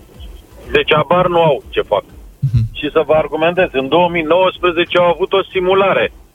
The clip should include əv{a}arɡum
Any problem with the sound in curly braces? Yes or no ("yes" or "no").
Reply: yes